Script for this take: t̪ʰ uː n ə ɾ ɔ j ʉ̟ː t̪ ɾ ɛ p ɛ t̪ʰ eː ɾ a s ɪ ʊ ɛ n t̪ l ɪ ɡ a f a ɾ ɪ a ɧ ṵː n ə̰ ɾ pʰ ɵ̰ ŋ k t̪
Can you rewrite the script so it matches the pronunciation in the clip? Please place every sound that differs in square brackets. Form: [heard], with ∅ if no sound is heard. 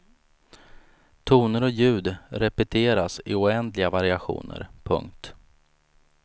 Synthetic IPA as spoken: t̪ʰ uː n ə ɾ ɔ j ʉ̟ː [d̪] ɾ ɛ p ɛ t̪ʰ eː ɾ a s ɪ ʊ ɛ n [d̪] l ɪ ɡ a [v] a ɾ ɪ a ɧ ṵː n ə̰ ɾ pʰ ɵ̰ ŋ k t̪